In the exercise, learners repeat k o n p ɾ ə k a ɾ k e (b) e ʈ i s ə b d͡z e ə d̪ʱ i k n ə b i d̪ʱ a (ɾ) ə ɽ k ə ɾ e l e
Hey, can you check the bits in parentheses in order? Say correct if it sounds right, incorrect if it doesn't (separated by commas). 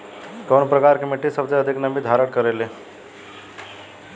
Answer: incorrect, correct